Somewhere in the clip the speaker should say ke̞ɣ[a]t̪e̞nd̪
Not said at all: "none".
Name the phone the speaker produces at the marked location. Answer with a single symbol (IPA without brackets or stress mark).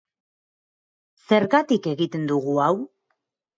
i